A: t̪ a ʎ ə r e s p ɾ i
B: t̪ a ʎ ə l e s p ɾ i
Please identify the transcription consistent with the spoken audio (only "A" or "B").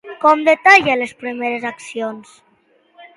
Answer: B